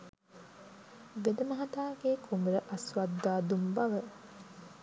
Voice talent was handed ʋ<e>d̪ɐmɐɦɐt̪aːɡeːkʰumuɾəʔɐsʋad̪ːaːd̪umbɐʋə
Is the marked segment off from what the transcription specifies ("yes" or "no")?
no